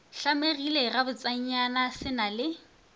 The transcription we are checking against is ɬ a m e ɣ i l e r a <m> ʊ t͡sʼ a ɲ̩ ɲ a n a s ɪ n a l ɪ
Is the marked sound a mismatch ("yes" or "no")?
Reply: yes